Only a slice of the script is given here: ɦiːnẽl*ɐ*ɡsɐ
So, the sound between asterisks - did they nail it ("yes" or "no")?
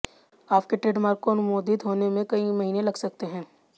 yes